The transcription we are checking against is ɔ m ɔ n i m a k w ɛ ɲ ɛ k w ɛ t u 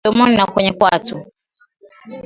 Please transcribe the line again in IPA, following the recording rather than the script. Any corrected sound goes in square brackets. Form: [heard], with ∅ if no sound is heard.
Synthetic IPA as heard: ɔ m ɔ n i [n] a k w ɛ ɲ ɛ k w [a] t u